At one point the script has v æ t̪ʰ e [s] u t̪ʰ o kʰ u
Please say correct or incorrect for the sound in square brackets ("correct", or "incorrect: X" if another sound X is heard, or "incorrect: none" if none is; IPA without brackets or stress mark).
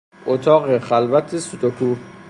correct